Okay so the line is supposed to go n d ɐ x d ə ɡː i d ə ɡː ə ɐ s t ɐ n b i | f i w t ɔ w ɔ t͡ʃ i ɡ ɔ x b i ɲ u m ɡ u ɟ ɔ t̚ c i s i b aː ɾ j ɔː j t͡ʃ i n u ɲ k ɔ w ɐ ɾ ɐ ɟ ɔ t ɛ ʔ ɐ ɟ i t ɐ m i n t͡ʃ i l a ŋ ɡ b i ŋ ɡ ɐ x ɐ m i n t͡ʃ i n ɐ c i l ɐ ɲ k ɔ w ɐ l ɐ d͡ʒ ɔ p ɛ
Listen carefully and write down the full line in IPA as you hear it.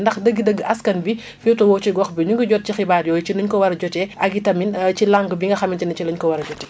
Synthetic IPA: n d ɐ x d ə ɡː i d ə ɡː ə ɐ s k ɐ n b i | f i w t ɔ w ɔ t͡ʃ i ɡ ɔ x b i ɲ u ŋ ɡ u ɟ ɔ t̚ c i x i b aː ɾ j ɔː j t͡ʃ i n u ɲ k ɔ w ɐ ɾ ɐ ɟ ɔ t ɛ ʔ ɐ ɡ i t ɐ m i n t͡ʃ i l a ŋ ɡ b i ŋ ɡ ɐ x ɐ m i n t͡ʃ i n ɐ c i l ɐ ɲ k ɔ w ɐ ɾ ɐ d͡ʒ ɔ t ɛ

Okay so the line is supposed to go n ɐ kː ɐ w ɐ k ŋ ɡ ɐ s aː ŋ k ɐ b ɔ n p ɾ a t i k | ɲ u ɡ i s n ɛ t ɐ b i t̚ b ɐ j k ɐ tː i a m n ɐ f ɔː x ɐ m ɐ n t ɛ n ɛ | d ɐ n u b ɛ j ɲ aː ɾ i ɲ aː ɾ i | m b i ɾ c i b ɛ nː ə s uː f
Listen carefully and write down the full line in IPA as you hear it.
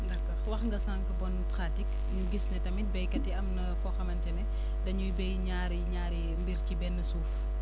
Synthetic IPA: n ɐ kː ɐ w ɐ x ŋ ɡ ɐ s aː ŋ k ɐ b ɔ n p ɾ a t i k | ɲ u ɡ i s n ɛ t ɐ m i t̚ b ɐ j k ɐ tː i ɐ m n ɐ f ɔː x ɐ m ɐ n t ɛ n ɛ | d ɐ ɲ u b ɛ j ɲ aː ɾ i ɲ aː ɾ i | m b i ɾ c i b ɛ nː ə s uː f

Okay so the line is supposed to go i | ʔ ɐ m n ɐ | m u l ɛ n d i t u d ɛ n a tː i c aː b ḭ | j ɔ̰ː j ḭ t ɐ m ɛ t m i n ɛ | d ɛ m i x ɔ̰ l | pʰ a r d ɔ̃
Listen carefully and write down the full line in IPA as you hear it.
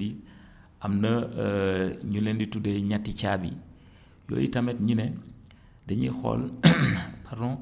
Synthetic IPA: i | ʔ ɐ m n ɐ | ɲ u l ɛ n d i t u d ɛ ɲ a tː i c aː b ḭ | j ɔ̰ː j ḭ t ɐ m ɛ t ɲ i n ɛ | d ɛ ɲ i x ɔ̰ l | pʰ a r d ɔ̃

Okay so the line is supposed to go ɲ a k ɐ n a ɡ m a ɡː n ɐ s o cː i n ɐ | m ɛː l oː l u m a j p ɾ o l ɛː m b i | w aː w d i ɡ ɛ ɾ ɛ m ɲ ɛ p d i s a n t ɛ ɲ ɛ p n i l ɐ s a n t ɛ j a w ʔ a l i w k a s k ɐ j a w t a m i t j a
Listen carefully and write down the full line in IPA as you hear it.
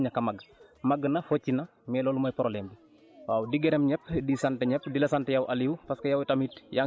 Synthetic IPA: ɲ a k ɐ m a ɡ m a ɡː n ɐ f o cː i n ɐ | m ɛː l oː l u m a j p ɾ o l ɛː m b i | w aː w d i ɡ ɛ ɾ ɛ m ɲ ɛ p d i s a n t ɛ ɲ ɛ p d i l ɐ s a n t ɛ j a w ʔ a l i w p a s k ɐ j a w t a m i t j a

